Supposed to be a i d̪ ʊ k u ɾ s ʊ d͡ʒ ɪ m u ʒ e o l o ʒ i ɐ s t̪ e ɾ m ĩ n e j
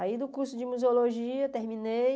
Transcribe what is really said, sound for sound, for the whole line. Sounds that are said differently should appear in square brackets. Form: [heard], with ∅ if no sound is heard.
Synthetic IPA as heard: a i d̪ ʊ k u ɾ s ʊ d͡ʒ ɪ m u [z] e o l o ʒ i ɐ [∅] t̪ e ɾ m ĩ n e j